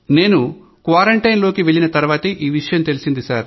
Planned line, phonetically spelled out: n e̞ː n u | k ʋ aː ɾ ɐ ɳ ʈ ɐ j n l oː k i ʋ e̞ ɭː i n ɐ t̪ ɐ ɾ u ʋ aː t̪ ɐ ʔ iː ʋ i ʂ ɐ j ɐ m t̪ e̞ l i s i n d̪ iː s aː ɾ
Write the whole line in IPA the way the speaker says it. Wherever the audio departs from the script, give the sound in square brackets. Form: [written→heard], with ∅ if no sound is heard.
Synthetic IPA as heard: n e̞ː n u | k ʋ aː ɾ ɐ ɳ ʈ ɐ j n l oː k i ʋ e̞ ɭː i n ɐ t̪ ɐ ɾ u ʋ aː t̪ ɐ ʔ iː ʋ i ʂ ɐ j ɐ m t̪ e̞ l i s i n d̪ [iː→i] s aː ɾ